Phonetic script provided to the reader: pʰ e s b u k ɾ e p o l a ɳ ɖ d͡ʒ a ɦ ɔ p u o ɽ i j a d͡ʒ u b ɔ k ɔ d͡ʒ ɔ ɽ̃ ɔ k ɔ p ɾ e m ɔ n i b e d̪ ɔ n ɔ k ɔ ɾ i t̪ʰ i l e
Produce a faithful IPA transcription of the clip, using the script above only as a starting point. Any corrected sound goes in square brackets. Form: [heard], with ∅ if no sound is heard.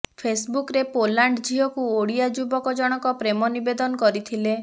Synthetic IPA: pʰ e s b u k ɾ e p o l a ɳ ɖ d͡ʒ [i] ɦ ɔ [k] u o ɽ i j a d͡ʒ u b ɔ k ɔ d͡ʒ ɔ ɽ̃ ɔ k ɔ p ɾ e m ɔ n i b e d̪ ɔ n ɔ k ɔ ɾ i t̪ʰ i l e

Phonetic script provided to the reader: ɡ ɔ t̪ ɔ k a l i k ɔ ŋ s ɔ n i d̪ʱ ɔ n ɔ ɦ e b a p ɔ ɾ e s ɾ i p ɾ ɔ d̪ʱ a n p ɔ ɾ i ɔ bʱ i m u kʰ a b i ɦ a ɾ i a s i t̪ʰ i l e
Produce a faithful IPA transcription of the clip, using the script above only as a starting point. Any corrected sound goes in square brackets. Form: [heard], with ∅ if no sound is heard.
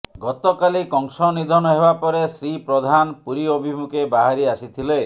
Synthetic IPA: ɡ ɔ t̪ ɔ k a l i k ɔ ŋ s ɔ n i d̪ʱ ɔ n ɔ ɦ e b a p ɔ ɾ e s ɾ i p ɾ ɔ d̪ʱ a n p [u] ɾ i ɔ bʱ i m u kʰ [e] b [a] ɦ a ɾ i a s i t̪ʰ i l e

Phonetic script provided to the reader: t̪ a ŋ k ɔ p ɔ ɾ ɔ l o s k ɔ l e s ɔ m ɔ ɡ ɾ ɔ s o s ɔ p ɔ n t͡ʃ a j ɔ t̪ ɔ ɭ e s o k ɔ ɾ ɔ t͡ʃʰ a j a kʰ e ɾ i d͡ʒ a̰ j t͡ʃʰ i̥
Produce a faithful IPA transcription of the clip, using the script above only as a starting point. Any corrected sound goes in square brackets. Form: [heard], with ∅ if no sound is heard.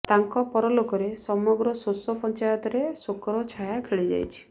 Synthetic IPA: t̪ a ŋ k ɔ p ɔ ɾ ɔ l o [∅] k ɔ [ɾ] e s ɔ m ɔ ɡ ɾ ɔ s o s ɔ p ɔ n t͡ʃ a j ɔ t̪ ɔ [ɾ] e s o k ɔ ɾ ɔ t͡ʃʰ a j a kʰ e [ɭ] i d͡ʒ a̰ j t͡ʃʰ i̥

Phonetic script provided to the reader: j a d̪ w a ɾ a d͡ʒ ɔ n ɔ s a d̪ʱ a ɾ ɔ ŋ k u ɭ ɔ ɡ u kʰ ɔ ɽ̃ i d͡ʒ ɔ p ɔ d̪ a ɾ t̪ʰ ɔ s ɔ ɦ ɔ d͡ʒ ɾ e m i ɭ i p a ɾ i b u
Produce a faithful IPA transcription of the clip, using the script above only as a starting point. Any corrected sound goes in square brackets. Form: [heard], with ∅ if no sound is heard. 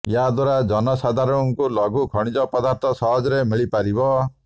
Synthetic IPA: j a d̪ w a ɾ a d͡ʒ ɔ n ɔ s a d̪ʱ a ɾ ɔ ŋ k u [l] ɔ ɡ u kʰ ɔ ɽ̃ i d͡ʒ ɔ p ɔ d̪ a ɾ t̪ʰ ɔ s ɔ ɦ ɔ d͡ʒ ɾ e m i ɭ i p a ɾ i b [ɔ]

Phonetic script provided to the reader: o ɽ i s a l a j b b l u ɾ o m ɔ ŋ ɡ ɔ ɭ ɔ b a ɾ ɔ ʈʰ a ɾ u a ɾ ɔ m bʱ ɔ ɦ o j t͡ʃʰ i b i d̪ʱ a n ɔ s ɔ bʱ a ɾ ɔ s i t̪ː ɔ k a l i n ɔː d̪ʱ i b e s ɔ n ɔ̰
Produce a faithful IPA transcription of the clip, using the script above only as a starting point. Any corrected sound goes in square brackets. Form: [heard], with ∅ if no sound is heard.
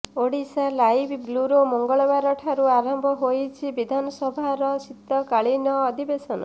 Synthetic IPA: o ɽ i s a l a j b b l u ɾ o m ɔ ŋ ɡ ɔ ɭ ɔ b a ɾ ɔ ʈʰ a ɾ u a ɾ ɔ m bʱ ɔ ɦ o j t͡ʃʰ i b i d̪ʱ a n ɔ s ɔ bʱ a ɾ ɔ s i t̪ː ɔ k a [ɭ] i n ɔː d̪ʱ i b e s ɔ n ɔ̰

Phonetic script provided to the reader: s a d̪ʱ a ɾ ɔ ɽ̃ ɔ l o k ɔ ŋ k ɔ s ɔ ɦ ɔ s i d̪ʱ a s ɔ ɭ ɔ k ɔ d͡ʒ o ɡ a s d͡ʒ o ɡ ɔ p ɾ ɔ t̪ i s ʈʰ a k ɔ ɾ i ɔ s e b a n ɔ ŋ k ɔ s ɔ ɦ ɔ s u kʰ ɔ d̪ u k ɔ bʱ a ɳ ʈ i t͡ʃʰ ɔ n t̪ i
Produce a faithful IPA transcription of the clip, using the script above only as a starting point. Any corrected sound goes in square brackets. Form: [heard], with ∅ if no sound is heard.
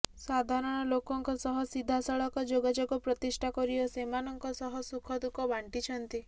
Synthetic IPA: s a d̪ʱ a ɾ ɔ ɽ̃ ɔ l o k ɔ ŋ k ɔ s ɔ ɦ ɔ s i d̪ʱ a s ɔ ɭ ɔ k ɔ d͡ʒ o ɡ a [∅] d͡ʒ o ɡ ɔ p ɾ ɔ t̪ i s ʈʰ a k ɔ ɾ i ɔ s e [m] a n ɔ ŋ k ɔ s ɔ ɦ ɔ s u kʰ ɔ d̪ u k ɔ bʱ a ɳ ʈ i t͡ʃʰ ɔ n t̪ i

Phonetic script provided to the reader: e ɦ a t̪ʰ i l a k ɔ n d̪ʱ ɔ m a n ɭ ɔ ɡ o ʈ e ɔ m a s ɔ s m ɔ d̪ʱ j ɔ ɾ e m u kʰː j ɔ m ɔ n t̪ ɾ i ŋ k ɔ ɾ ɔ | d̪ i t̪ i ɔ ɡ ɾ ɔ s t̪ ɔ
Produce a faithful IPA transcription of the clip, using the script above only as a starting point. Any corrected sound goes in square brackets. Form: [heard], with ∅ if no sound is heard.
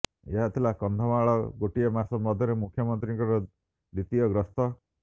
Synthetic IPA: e ɦ a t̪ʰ i l a k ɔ n d̪ʱ ɔ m a [∅] ɭ ɔ ɡ o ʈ [i] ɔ m a s ɔ [∅] m ɔ d̪ʱ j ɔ ɾ e m u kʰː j ɔ m ɔ n t̪ ɾ i ŋ k ɔ ɾ ɔ | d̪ i t̪ i ɔ ɡ ɾ ɔ s t̪ ɔ

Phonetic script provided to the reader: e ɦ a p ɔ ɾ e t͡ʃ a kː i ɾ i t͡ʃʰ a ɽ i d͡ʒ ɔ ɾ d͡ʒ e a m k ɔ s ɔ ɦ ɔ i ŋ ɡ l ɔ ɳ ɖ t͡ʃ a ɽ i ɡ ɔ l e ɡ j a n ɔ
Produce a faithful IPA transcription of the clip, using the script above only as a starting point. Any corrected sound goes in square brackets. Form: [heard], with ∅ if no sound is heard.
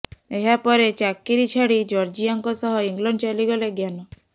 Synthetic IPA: e ɦ a p ɔ ɾ e t͡ʃ a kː i ɾ i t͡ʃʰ a ɽ i d͡ʒ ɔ ɾ d͡ʒ [i] a [ŋ] k ɔ s ɔ ɦ ɔ i ŋ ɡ l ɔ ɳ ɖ t͡ʃ a [l] i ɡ ɔ l e ɡ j a n ɔ

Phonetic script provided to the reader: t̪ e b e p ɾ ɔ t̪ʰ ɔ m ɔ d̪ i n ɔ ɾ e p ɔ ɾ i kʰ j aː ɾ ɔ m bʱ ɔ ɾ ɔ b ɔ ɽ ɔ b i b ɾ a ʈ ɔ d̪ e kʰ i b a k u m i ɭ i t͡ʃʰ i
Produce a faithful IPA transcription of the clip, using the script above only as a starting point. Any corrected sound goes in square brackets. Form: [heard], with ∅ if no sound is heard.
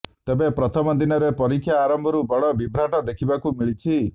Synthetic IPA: t̪ e b e p ɾ ɔ t̪ʰ ɔ m ɔ d̪ i n ɔ ɾ e p ɔ ɾ i kʰ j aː ɾ ɔ m bʱ ɔ ɾ [u] b ɔ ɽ ɔ b i b ɾ a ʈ ɔ d̪ e kʰ i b a k u m i ɭ i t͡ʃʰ i

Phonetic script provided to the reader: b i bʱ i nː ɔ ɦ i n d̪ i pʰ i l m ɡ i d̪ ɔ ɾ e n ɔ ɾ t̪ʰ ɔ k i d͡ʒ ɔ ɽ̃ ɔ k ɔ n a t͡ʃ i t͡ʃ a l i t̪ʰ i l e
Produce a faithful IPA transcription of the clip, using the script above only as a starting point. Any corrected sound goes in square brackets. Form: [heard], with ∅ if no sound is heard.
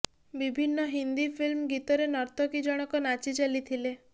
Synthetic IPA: b i bʱ i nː ɔ ɦ i n d̪ i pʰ i l m ɡ i [t̪] ɔ ɾ e n ɔ ɾ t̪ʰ ɔ k i d͡ʒ ɔ ɽ̃ ɔ k ɔ n a t͡ʃ i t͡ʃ a l i t̪ʰ i l e

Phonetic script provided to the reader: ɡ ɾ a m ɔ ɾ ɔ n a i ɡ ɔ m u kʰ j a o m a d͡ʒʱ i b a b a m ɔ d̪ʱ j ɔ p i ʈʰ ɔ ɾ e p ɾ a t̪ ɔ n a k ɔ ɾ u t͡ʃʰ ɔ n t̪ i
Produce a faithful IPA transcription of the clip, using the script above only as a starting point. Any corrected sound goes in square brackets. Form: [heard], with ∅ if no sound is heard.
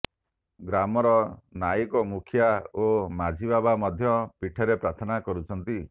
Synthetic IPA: ɡ ɾ a m ɔ ɾ ɔ n a i [k] ɔ m u kʰ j a o m a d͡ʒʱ i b a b a m ɔ d̪ʱ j ɔ p i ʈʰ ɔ ɾ e p ɾ a [t̪ʰ] ɔ n a k ɔ ɾ u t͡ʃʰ ɔ n t̪ i

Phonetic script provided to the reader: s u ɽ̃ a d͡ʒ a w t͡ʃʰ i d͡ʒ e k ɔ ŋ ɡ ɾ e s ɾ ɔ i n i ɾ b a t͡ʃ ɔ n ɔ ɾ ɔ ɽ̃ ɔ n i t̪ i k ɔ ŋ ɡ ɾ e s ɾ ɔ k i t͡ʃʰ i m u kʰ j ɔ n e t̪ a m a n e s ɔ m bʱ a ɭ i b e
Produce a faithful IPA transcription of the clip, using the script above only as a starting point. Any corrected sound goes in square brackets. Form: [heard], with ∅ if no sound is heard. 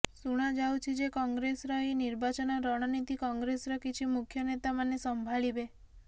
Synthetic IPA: s u ɽ̃ a d͡ʒ a w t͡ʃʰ i d͡ʒ e k ɔ ŋ ɡ ɾ e s ɾ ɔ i n i ɾ b a t͡ʃ ɔ n ɔ ɾ ɔ ɽ̃ ɔ n i t̪ i k ɔ ŋ ɡ ɾ e s ɾ ɔ k i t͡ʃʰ i m u kʰ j ɔ n e t̪ a m a n e s ɔ m bʱ a ɭ i b e

